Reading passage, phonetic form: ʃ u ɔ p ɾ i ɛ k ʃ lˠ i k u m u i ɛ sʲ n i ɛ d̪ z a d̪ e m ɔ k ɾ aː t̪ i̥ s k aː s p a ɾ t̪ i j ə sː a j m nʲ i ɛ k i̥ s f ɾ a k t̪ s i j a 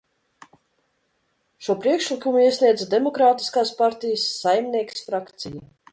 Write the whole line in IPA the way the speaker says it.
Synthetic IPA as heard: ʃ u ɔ p ɾ i ɛ k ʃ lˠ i k u m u i ɛ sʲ n i ɛ d̪ z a d̪ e m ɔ k ɾ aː t̪ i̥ s k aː s p a ɾ t̪ i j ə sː a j m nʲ i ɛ k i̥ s f ɾ a k t̪ s i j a